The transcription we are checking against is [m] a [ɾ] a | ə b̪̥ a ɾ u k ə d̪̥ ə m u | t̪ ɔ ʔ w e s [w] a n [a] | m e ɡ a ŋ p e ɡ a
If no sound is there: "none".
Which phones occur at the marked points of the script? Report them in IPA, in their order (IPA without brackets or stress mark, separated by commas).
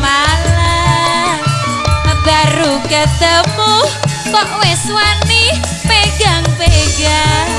m, l, w, i